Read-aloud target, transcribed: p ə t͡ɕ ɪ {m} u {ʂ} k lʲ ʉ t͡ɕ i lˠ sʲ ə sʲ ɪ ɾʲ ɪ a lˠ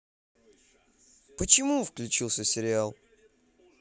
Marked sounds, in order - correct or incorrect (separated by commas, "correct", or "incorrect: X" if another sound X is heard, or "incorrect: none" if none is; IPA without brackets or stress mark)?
correct, incorrect: f